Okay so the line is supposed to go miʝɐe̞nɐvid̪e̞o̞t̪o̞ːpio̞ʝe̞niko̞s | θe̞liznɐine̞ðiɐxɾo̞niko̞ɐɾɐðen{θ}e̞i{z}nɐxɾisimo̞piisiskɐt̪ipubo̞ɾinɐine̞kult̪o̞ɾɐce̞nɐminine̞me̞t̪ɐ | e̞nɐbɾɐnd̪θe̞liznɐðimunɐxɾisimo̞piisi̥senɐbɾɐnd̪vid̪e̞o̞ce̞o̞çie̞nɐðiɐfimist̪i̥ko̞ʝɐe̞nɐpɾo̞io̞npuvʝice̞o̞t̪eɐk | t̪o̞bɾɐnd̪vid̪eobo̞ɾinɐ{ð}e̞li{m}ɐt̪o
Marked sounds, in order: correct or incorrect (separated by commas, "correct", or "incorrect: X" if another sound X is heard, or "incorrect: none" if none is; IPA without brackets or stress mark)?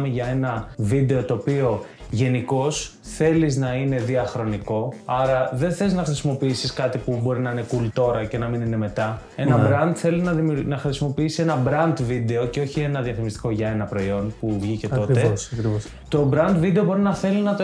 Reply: correct, correct, incorrect: θ, incorrect: n